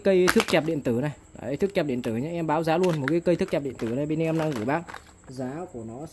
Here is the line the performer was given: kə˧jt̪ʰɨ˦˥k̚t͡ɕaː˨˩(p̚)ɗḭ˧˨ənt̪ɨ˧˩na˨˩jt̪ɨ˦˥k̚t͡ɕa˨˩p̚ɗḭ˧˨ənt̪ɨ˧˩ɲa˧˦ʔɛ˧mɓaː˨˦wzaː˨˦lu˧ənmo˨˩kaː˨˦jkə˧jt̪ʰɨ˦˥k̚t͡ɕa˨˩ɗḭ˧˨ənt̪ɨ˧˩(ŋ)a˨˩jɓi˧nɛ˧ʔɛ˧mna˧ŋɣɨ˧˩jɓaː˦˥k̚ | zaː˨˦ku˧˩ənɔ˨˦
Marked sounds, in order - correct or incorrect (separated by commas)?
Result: correct, incorrect